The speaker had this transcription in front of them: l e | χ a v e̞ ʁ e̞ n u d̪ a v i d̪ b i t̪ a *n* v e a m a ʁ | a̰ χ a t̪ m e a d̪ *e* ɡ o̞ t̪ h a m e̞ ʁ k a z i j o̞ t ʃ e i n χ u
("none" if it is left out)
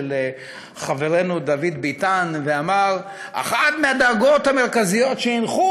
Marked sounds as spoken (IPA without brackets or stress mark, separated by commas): n, a